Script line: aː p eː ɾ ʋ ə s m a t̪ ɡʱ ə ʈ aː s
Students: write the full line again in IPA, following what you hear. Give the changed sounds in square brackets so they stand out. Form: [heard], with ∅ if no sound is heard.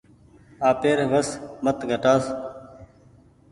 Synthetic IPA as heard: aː p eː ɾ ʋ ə s m [ə] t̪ ɡʱ ə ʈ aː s